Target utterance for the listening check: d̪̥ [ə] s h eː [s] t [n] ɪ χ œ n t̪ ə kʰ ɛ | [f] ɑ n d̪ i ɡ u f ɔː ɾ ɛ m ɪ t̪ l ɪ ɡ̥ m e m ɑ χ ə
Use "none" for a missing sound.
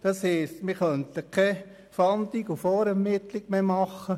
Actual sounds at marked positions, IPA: ɑ, s, m, f

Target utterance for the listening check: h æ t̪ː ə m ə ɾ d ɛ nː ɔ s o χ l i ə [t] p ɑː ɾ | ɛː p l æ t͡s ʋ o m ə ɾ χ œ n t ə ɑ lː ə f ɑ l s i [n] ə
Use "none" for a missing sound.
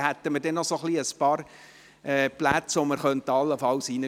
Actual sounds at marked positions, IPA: s, n

